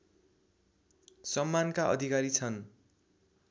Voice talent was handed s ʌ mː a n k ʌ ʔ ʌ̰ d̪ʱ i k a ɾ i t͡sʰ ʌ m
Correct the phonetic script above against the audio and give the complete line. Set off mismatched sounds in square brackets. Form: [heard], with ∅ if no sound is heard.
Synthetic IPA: s ʌ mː a n k [a] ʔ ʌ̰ d̪ʱ i k a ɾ i t͡sʰ ʌ [n]